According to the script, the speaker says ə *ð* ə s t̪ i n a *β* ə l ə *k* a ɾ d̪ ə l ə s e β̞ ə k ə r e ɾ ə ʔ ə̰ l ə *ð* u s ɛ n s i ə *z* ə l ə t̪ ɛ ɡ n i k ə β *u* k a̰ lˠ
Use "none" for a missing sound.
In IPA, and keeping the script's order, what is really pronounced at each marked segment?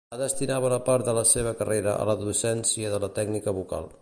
ð, β, p, ð, ð, u

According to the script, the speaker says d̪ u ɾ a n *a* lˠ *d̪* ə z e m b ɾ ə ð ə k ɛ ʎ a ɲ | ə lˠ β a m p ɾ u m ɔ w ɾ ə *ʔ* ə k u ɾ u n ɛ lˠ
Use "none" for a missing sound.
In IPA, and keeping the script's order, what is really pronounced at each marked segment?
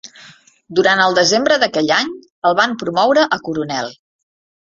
ə, d̪, ʔ

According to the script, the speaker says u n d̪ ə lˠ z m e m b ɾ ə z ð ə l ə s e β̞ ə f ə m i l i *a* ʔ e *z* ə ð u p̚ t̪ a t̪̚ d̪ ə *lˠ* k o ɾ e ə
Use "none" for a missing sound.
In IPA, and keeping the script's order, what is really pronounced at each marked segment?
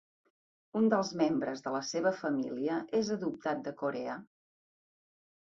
ə, z, none

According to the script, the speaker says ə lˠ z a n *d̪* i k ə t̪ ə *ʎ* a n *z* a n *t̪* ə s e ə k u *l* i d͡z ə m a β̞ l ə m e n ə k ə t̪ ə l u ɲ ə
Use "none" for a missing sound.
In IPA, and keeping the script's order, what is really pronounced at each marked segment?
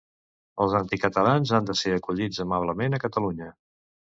t̪, l, z, d̪, ʎ

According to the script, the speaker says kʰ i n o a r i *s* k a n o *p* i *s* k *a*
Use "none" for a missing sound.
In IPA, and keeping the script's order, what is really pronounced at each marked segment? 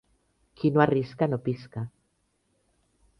s, p, s, a

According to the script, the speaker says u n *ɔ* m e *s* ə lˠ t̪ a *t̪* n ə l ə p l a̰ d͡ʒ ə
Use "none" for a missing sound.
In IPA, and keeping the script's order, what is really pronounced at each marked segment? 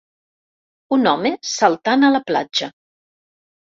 ɔ, s, none

